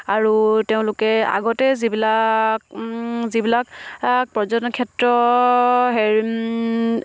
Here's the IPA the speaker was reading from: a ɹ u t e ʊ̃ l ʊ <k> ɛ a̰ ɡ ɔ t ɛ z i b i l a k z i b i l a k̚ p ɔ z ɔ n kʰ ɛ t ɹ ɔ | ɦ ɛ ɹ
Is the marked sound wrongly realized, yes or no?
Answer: no